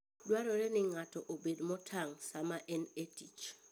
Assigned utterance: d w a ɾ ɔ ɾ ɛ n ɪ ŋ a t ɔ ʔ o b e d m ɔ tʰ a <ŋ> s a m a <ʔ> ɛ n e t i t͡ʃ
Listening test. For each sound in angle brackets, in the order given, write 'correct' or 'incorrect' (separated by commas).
correct, correct